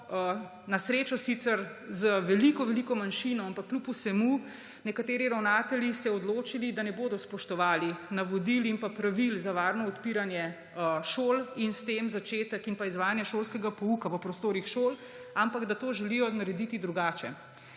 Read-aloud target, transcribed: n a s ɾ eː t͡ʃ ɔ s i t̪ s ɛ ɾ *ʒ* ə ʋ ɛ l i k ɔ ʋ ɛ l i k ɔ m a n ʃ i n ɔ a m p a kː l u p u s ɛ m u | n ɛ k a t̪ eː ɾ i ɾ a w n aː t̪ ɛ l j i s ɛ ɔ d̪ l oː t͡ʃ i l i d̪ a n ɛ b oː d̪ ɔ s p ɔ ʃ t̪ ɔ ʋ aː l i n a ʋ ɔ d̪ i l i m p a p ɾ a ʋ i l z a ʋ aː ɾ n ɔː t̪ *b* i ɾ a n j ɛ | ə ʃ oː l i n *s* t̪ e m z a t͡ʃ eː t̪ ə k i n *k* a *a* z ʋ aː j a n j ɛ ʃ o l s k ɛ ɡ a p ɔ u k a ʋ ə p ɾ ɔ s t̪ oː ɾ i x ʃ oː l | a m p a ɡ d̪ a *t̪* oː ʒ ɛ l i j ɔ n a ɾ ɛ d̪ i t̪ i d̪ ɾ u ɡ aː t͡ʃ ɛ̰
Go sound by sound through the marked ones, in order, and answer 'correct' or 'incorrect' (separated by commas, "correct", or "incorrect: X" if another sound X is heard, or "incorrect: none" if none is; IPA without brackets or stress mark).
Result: incorrect: z, incorrect: p, correct, incorrect: p, incorrect: i, correct